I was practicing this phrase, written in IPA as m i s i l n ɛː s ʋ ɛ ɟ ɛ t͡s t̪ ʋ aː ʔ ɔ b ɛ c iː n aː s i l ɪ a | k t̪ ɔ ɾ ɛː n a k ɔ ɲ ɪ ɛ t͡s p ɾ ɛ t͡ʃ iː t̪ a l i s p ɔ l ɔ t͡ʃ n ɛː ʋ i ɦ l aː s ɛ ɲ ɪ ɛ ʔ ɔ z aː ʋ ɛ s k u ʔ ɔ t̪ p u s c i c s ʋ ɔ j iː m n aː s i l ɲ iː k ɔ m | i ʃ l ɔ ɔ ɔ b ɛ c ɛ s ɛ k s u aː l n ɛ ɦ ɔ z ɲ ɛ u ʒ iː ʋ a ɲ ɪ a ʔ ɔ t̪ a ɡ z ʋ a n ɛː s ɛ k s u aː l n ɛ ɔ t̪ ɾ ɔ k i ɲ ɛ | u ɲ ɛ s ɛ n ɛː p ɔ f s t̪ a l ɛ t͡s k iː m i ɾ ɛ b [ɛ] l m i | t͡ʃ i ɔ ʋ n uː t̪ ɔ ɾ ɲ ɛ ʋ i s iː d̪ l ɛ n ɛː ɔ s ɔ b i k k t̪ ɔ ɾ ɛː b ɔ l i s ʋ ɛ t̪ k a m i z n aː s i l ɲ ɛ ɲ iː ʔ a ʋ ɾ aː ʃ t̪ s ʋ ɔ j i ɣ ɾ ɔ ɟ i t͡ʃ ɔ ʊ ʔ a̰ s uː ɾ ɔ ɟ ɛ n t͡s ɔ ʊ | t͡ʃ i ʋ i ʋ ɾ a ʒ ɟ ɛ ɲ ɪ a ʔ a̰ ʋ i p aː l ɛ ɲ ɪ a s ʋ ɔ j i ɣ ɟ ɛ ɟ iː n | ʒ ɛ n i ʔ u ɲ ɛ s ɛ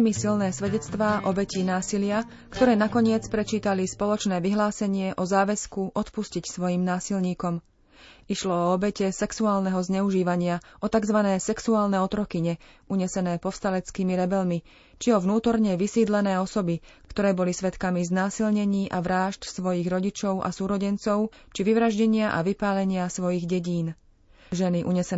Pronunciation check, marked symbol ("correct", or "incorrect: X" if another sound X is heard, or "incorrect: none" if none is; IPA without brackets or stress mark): correct